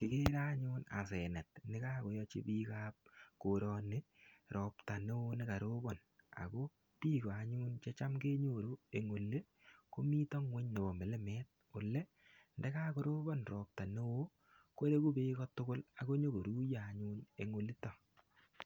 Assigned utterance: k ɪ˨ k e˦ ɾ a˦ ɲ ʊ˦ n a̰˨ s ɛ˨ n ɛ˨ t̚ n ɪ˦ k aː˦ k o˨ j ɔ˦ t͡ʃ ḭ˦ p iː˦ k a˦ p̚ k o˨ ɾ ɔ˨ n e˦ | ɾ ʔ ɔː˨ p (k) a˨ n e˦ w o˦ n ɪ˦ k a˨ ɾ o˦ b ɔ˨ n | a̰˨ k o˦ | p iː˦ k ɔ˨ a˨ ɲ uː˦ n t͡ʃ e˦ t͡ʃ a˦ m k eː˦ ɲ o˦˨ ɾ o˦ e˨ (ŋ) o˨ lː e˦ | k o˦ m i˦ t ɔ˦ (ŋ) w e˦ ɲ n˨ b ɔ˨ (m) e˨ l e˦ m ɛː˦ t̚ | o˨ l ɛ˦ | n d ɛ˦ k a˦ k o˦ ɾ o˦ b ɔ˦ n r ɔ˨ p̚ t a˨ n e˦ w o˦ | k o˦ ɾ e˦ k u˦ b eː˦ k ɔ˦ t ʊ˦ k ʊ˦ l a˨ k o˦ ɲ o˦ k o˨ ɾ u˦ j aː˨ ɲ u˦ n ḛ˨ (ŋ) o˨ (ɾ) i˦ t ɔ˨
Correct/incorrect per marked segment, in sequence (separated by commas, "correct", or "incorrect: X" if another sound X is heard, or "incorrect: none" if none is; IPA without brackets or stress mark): incorrect: t, correct, correct, correct, correct, incorrect: l